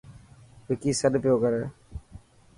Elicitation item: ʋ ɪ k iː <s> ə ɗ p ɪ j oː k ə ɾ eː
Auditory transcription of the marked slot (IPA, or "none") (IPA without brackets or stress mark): s